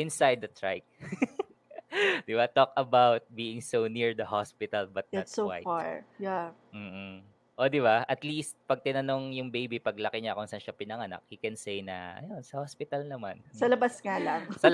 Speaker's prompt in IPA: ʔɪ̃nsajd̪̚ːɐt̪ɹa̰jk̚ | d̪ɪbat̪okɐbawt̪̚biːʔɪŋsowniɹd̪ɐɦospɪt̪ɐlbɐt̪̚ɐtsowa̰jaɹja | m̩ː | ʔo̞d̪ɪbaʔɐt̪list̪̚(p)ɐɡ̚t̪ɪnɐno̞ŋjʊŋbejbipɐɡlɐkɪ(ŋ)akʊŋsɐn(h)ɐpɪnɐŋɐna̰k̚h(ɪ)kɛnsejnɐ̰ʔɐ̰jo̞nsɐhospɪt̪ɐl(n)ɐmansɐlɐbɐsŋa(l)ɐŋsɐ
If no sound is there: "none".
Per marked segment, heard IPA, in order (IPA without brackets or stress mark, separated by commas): p, ɲ, ʃ, i, n, l